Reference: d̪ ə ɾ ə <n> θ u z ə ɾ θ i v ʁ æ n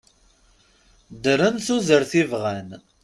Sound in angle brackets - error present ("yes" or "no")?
no